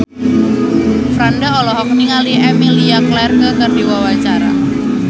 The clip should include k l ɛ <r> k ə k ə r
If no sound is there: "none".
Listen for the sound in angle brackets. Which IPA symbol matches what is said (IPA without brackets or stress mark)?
r